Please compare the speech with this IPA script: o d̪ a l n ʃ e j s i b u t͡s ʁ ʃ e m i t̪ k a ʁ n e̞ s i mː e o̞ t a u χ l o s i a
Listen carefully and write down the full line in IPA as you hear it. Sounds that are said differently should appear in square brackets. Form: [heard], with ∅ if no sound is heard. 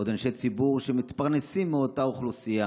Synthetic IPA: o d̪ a [∅] n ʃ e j [t͡s] i b u [∅] ʁ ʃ e m i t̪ [p] a ʁ n e̞ s i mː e o̞ t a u χ l [u] s i a